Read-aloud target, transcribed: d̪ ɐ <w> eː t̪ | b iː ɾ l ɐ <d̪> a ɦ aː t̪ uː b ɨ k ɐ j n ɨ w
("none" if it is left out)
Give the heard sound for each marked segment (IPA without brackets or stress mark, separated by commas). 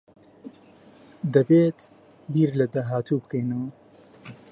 b, d̪